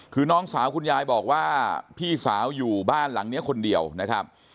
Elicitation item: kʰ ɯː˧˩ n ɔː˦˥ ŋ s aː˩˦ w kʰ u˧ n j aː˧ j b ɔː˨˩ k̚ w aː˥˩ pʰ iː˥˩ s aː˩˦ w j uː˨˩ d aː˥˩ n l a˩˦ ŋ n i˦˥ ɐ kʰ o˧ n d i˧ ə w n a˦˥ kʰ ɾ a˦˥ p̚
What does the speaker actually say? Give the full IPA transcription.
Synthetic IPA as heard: kʰ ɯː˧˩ n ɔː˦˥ ŋ s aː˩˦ w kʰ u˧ n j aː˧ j b ɔː˨˩ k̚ w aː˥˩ pʰ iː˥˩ s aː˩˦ w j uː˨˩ b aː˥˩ n l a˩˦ ŋ n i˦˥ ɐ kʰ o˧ n d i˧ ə w n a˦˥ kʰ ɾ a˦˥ p̚

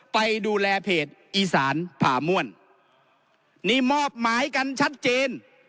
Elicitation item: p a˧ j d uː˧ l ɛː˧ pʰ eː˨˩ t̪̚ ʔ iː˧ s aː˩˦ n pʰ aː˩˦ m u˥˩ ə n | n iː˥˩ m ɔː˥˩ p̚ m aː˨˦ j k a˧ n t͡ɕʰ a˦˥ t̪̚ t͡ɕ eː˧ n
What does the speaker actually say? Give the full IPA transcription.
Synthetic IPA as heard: p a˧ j d uː˧ l ɛː˧ pʰ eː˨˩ t̪̚ ʔ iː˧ s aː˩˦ n pʰ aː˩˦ m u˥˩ ə n | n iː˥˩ m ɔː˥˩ p̚ m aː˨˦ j k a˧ n t͡ɕʰ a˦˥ t̪̚ t͡ɕ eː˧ n

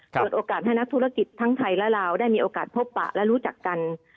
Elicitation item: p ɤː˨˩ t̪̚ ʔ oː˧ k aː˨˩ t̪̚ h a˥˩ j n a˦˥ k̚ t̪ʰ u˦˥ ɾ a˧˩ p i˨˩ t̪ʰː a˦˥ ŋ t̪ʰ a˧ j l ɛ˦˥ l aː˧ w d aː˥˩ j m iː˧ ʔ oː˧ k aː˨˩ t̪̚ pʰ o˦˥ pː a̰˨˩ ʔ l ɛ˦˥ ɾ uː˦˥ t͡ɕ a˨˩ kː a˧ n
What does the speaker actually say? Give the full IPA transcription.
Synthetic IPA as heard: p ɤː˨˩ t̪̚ ʔ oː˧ k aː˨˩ t̪̚ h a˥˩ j n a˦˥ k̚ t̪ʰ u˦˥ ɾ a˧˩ k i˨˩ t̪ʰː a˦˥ ŋ t̪ʰ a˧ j l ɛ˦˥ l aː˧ w d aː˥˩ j m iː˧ ʔ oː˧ k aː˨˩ t̪̚ pʰ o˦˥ pː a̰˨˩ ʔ l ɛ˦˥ ɾ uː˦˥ t͡ɕ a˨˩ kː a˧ n

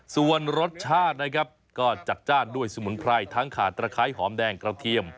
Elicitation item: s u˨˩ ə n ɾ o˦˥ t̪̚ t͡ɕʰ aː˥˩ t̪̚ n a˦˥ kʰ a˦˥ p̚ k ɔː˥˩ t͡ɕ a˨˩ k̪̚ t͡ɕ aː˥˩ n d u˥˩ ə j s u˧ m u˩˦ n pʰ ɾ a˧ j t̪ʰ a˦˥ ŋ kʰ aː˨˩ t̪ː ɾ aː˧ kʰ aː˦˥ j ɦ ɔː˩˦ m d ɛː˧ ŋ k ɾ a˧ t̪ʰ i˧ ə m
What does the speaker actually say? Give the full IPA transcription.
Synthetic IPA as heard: s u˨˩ ə n ɾ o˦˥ t̪̚ t͡ɕʰ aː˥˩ t̪̚ n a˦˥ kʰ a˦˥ p̚ k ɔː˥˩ t͡ɕ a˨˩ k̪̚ t͡ɕ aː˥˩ n d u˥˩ ə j s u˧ m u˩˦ n pʰ ɾ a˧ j t̪ʰ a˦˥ ŋ kʰ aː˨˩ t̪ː ɾ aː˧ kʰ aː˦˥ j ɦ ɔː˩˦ m d ɛː˧ ŋ k ɾ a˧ t̪ʰ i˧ ə m

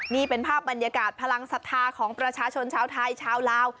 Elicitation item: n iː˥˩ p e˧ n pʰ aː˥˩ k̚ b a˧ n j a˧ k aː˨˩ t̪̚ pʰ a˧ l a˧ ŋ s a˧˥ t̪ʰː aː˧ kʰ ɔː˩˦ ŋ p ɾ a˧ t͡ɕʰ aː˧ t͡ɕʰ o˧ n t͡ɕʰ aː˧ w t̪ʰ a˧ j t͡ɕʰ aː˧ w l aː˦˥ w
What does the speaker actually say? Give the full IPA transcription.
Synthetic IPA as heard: n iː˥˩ p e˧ n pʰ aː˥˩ p̚ b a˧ n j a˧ k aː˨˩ t̪̚ pʰ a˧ l a˧ ŋ s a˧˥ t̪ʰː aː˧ kʰ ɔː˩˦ ŋ p ɾ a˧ t͡ɕʰ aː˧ t͡ɕʰ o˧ n t͡ɕʰ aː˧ w t̪ʰ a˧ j t͡ɕʰ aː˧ w l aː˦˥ w

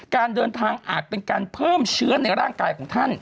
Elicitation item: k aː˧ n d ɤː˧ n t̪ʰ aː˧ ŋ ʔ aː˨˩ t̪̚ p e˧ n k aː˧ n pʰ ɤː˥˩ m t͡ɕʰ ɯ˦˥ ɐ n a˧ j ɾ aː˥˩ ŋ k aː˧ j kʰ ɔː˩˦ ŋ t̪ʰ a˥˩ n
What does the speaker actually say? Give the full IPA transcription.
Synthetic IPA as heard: k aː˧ n d ɤː˧ n t̪ʰ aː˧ ŋ ʔ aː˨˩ t̪̚ p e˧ n k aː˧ n pʰ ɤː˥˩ m t͡ɕʰ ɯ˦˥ ɐ n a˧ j ɾ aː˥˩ ŋ k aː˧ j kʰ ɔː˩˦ ŋ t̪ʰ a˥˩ n

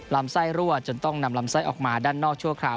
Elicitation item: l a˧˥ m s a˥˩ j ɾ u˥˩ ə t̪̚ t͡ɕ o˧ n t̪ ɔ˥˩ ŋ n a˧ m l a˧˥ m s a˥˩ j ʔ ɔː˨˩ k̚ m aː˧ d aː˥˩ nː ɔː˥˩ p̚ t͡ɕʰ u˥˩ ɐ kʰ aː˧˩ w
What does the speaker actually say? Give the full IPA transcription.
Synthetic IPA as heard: l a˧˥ m s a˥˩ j ɾ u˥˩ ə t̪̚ t͡ɕ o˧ n t̪ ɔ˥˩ ŋ n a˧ m l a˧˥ m s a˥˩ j ʔ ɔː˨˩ k̚ m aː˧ d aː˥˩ nː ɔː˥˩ k̚ t͡ɕʰ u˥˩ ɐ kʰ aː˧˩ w

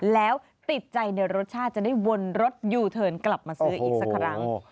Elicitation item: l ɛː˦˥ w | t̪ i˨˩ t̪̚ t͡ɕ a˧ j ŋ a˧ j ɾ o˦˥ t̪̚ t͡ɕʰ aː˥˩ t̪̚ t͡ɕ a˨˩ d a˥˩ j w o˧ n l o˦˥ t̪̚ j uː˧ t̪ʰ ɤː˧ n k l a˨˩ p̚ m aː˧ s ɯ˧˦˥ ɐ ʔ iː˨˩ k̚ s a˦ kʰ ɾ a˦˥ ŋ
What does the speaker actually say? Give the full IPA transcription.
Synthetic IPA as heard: l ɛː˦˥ w | t̪ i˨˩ t̪̚ t͡ɕ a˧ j n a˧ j ɾ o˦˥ t̪̚ t͡ɕʰ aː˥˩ t̪̚ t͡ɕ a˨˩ d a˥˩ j w o˧ n ɾ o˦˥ t̪̚ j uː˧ t̪ʰ ɤː˧ n k l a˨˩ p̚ m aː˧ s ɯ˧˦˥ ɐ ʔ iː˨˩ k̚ s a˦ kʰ ɾ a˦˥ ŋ

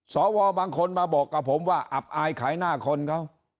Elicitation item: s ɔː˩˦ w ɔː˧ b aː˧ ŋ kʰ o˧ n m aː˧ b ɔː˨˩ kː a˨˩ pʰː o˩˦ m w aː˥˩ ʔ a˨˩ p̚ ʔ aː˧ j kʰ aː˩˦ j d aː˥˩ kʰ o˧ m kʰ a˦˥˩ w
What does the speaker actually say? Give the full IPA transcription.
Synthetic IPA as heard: s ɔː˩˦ w ɔː˧ b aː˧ ŋ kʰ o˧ n m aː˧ b ɔː˨˩ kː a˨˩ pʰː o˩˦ m w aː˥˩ ʔ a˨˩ p̚ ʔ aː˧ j kʰ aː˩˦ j n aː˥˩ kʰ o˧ n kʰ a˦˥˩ w

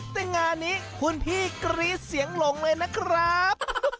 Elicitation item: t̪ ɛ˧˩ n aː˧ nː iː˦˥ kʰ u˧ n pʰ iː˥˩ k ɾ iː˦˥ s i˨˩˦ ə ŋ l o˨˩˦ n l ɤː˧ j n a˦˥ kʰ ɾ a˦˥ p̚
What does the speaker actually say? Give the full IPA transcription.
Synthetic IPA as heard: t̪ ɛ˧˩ ŋ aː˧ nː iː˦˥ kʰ u˧ n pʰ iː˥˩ k ɾ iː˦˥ s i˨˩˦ ə ŋ l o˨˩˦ ŋ l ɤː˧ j n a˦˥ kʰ ɾ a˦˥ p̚

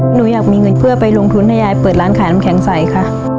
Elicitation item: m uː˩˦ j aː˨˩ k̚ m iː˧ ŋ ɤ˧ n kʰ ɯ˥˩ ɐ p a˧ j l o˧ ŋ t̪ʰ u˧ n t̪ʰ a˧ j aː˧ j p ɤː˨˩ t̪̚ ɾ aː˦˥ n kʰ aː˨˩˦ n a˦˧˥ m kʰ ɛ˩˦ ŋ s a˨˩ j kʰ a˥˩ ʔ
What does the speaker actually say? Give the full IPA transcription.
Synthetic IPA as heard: n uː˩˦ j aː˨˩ k̚ m iː˧ ŋ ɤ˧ n pʰ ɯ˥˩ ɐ p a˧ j l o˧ ŋ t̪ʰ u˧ n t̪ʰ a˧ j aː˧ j p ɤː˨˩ t̪̚ ɾ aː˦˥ n kʰ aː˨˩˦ n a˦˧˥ m kʰ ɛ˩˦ ŋ s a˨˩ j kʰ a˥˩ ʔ

